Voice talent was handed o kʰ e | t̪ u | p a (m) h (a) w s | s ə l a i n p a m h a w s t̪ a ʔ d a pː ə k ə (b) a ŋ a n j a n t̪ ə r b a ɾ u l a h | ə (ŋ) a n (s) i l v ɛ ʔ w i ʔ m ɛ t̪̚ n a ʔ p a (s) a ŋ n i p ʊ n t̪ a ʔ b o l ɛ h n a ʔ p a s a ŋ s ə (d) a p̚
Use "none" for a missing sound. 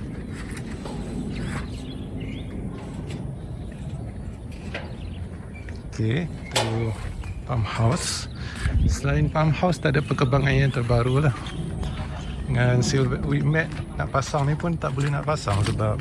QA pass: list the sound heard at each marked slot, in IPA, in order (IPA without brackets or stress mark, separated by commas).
m, a, b, ŋ, s, s, b